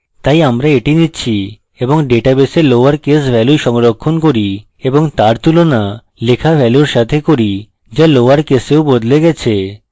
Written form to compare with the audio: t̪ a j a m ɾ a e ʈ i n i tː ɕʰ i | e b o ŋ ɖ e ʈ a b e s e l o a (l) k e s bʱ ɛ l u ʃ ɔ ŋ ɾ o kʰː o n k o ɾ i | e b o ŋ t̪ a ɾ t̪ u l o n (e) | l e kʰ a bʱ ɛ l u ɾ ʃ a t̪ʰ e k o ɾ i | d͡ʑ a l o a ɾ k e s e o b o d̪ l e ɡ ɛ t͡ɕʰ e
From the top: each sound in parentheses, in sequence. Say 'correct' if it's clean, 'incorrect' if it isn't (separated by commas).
incorrect, incorrect